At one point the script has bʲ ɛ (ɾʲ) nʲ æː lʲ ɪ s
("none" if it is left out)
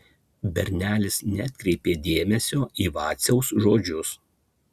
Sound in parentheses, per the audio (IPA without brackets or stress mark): ɾʲ